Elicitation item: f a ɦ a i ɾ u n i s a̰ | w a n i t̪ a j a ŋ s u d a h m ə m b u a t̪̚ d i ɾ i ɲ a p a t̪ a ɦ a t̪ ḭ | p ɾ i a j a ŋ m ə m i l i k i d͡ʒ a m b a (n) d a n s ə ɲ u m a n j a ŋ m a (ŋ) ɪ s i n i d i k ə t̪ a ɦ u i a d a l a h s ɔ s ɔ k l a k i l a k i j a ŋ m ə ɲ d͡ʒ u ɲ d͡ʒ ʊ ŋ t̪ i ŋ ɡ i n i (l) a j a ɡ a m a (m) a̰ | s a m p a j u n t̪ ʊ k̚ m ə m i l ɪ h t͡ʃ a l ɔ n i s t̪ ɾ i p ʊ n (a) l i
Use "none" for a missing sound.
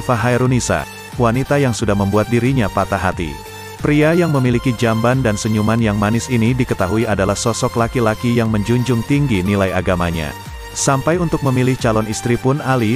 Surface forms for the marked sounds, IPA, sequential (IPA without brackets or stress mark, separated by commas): n, n, l, ɲ, a